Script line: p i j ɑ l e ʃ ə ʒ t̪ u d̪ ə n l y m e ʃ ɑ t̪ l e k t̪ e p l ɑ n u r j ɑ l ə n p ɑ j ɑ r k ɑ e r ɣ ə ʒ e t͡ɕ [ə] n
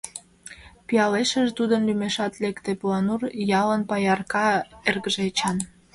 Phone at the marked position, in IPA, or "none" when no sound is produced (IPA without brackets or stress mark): ɑ